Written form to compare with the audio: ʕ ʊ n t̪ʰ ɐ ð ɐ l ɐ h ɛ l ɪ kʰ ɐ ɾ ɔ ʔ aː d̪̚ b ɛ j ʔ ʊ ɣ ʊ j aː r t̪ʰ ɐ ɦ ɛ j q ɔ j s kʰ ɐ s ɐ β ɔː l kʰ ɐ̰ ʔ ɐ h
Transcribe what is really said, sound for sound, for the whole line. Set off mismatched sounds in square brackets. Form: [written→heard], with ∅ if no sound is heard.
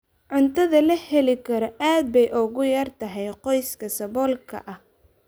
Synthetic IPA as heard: ʕ ʊ n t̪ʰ ɐ ð ɐ l ɐ h ɛ l ɪ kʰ ɐ ɾ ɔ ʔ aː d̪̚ b ɛ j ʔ ʊ ɣ ʊ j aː r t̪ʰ ɐ ɦ ɛ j q ɔ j s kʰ ɐ s ɐ β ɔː l kʰ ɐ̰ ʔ ɐ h